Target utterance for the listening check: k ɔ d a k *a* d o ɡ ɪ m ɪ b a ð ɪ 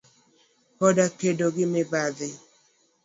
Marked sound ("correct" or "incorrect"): incorrect